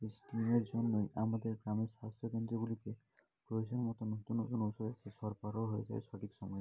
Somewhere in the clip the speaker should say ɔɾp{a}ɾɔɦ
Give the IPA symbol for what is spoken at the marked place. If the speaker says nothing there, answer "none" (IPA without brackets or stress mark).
a